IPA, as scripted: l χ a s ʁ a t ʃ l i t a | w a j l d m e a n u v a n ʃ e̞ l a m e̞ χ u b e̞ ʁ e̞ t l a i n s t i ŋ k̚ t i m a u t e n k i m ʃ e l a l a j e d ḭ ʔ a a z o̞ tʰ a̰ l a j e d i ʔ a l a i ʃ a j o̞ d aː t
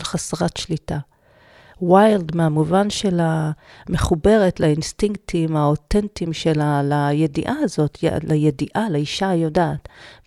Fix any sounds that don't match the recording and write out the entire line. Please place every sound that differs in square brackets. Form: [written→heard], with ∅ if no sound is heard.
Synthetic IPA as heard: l χ a s ʁ a t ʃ l i t a | w a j l d m e a [n→m] u v a n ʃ e̞ l a m e̞ χ u b e̞ ʁ e̞ t l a i n s t i ŋ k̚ t i m a [u→o] t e n [k→t] i m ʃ e l a l a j e d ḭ ʔ a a z o̞ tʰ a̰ l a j e d i ʔ a l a i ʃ a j o̞ d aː t